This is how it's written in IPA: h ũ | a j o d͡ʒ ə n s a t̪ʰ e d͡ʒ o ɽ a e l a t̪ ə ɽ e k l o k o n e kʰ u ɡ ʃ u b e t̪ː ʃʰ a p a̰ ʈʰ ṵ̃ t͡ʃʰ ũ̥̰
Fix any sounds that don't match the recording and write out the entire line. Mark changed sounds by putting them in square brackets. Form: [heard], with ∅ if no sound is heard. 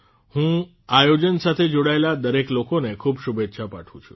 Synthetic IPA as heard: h ũ | a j o d͡ʒ ə n s a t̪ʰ e d͡ʒ o ɽ a e l a [d̪] ə [ɾ] e k l o k o n e kʰ u [b] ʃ u b e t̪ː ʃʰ a p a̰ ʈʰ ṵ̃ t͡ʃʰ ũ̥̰